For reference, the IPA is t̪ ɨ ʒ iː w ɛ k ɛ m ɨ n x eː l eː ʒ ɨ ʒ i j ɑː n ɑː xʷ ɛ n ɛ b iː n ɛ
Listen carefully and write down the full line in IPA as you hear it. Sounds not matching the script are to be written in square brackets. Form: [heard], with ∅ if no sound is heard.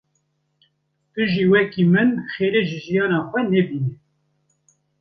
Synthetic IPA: t̪ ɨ ʒ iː w ɛ k [i] m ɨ n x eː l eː ʒ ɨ ʒ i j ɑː n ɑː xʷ ɛ n ɛ b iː n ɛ